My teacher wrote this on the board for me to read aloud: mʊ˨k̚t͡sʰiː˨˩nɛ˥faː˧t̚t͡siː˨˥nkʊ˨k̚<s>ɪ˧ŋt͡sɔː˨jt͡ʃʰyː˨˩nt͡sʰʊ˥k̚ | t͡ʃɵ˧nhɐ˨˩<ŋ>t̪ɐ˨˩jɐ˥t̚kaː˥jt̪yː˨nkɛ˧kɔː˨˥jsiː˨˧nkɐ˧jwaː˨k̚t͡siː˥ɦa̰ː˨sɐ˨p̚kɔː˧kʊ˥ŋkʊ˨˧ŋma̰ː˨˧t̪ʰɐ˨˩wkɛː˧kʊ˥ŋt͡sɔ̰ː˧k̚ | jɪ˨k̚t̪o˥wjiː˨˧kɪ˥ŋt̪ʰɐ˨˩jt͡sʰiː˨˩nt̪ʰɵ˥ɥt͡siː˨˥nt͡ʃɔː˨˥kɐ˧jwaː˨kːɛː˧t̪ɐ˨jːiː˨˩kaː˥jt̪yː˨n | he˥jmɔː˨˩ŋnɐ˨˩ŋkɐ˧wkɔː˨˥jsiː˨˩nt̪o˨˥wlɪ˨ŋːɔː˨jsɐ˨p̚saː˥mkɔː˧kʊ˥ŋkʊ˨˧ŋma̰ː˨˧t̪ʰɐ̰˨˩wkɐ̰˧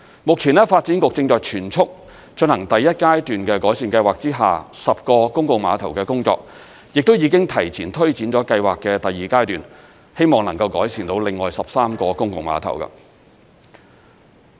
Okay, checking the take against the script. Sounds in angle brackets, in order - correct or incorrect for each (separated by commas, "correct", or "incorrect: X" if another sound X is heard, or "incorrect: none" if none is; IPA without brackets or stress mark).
incorrect: t͡s, correct